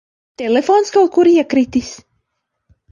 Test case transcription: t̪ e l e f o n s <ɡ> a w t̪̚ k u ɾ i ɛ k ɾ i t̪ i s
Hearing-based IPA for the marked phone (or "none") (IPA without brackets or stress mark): k